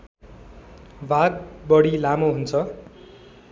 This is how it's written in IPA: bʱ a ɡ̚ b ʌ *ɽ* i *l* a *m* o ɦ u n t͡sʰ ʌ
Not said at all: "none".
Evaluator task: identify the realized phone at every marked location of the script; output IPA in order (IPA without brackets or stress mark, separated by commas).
ɽ, l, m